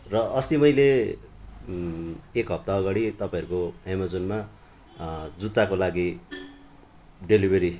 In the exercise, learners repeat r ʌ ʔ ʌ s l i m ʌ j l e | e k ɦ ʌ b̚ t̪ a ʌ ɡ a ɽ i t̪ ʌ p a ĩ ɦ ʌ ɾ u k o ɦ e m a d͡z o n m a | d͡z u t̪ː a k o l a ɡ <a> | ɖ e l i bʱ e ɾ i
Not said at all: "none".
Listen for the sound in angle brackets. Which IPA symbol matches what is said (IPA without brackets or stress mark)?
i